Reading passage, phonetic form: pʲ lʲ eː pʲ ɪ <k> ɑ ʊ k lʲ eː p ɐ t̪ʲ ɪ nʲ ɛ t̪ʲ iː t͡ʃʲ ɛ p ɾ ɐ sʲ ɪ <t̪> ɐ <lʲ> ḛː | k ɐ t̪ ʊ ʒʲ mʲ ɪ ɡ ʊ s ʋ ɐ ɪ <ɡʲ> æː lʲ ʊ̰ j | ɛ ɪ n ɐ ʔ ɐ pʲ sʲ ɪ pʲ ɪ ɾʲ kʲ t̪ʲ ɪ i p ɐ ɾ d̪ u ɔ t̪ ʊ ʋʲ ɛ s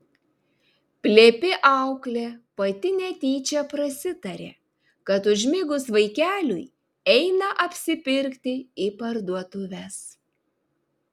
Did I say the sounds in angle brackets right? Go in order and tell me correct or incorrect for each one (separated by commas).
incorrect, correct, incorrect, incorrect